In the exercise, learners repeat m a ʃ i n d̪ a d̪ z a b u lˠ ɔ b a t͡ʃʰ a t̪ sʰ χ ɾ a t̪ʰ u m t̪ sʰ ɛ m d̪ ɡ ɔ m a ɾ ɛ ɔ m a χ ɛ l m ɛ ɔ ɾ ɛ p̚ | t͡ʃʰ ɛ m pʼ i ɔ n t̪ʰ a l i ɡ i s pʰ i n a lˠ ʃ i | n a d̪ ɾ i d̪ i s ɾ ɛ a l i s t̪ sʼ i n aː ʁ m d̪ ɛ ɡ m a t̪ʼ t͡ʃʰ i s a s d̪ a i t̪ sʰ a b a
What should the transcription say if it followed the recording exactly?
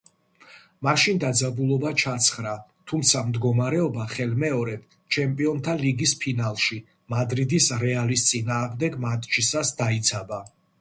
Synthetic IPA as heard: m a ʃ i n d̪ a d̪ z a b u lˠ ɔ b a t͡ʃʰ a t̪ sʰ χ ɾ a t̪ʰ u m t̪ sʰ a m d̪ ɡ ɔ m a ɾ ɛ ɔ b a χ ɛ l m ɛ ɔ ɾ ɛ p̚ | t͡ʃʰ ɛ m pʼ i ɔ n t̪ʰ a l i ɡ i s pʰ i n a lˠ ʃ i | m a d̪ ɾ i d̪ i s ɾ ɛ a l i s t̪ sʼ i n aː ʁ m d̪ ɛ ɡ m a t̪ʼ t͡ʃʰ i s a s d̪ a i t̪ sʰ a b a